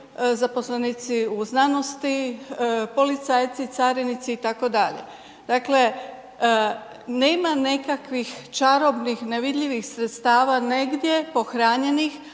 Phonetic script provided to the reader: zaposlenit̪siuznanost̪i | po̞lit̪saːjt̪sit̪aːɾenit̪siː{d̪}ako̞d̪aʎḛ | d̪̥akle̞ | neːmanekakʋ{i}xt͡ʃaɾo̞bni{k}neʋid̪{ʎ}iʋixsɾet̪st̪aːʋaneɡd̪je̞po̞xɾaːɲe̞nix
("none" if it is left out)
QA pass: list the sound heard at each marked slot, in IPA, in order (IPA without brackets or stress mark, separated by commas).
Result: t̪, i, x, ʎ